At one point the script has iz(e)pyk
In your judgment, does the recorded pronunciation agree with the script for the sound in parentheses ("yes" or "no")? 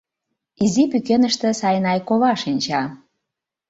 no